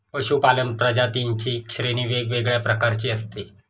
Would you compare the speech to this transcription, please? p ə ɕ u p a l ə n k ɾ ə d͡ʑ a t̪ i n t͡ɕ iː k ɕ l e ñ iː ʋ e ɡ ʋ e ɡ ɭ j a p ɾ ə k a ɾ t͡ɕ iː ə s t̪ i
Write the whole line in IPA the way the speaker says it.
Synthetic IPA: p ə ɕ u p a l ə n p ɾ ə d͡ʑ a t̪ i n t͡ɕ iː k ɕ ɾ e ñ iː ʋ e ɡ ʋ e ɡ ɭ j a p ɾ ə k a ɾ t͡ɕ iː ə s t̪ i